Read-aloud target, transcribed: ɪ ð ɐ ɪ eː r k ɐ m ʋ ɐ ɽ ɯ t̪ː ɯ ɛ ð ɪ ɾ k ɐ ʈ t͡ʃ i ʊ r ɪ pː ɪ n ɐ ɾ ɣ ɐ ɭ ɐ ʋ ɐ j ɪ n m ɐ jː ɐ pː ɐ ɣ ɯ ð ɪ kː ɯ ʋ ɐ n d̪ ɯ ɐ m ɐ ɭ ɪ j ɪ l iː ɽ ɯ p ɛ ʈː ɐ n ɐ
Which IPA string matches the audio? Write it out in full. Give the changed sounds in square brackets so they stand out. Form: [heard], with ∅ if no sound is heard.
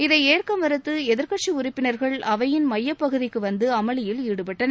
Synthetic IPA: ɪ ð ɐ ɪ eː r k ɐ m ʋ ɐ [ɾ] ɯ t̪ː ɯ ɛ ð ɪ ɾ k ɐ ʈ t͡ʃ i ʊ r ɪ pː ɪ n ɐ ɾ ɣ ɐ ɭ ɐ ʋ ɐ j ɪ n m ɐ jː ɐ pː ɐ ɣ ɯ ð ɪ kː ɯ ʋ ɐ n d̪ ɯ ɐ m ɐ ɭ ɪ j ɪ l iː ɽ ɯ p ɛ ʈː ɐ n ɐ